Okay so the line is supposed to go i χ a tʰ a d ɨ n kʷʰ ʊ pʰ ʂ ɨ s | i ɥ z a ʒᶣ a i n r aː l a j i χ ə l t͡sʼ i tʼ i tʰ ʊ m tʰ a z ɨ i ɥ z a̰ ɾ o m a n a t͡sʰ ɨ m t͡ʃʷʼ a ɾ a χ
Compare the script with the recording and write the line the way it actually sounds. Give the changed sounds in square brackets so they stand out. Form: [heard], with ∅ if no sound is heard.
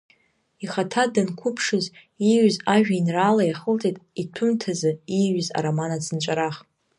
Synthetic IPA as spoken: i χ a tʰ a d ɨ n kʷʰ ʊ pʰ ʂ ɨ [z] | i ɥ z a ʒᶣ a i n r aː l a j [a] χ ə l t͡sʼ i tʼ i tʰ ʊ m tʰ a z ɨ i ɥ z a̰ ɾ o m a n a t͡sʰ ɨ [n] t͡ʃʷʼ a ɾ a χ